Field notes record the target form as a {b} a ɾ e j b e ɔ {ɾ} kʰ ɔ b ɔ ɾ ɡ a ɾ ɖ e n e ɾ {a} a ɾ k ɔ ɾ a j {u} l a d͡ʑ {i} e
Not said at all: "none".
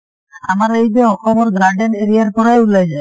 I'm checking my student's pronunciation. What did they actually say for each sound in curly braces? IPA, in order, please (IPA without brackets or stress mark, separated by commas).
m, none, i, u, a